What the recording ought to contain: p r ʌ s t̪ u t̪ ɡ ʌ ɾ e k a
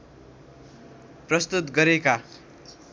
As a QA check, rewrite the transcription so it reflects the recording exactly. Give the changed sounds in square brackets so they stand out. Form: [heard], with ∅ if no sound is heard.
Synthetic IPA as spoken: p r ʌ s t̪ u t̪ ɡ ʌ ɾ e k a